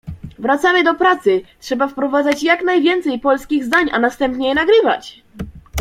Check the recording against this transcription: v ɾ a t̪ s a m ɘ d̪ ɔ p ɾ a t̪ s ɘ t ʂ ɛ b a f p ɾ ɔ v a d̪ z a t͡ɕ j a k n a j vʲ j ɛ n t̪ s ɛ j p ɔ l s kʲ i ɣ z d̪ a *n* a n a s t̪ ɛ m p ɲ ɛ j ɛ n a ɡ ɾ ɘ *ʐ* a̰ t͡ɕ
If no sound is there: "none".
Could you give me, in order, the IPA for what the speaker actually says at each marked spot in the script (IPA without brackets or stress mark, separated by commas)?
ɲ, v